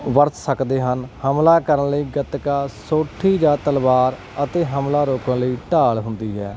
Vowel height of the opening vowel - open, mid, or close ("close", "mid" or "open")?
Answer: mid